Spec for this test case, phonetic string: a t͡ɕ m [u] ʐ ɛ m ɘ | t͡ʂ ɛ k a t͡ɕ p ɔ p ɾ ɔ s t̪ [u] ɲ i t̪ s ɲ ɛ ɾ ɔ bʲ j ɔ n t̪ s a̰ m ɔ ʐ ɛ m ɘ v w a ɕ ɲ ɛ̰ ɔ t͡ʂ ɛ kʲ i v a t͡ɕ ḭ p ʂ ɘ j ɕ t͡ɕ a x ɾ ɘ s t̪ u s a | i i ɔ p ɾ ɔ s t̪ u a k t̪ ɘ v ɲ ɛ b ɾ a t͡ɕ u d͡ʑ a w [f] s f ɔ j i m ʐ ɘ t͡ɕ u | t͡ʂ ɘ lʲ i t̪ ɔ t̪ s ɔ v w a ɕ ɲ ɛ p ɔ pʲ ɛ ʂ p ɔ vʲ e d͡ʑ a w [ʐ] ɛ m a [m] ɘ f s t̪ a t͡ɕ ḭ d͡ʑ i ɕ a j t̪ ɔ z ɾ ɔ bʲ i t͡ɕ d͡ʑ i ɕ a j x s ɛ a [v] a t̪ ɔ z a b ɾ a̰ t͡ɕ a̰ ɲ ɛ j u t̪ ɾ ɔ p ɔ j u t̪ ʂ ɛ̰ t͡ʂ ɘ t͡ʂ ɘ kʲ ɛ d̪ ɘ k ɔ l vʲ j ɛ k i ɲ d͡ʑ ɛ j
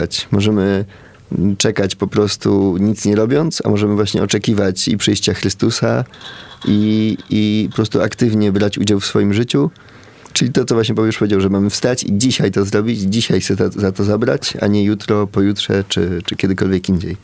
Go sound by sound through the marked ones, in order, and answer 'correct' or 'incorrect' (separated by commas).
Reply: incorrect, correct, correct, correct, correct, incorrect